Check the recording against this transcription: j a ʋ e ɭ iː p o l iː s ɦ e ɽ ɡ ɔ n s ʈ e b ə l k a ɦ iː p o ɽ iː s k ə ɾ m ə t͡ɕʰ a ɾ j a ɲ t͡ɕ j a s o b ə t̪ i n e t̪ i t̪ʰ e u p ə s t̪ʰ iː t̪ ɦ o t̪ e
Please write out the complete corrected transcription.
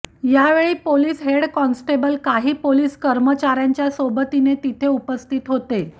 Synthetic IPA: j a ʋ e ɭ iː p o l iː s ɦ e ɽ k ɔ n s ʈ e b ə l k a ɦ iː p o l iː s k ə ɾ m ə t͡ɕ a ɾ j a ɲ t͡ɕ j a s o b ə t̪ i n e t̪ i t̪ʰ e u p ə s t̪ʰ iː t̪ ɦ o t̪ e